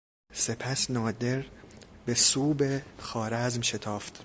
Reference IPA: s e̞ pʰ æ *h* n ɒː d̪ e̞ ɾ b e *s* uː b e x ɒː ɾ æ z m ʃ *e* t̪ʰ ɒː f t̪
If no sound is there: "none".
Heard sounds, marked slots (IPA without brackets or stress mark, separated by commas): s, s, e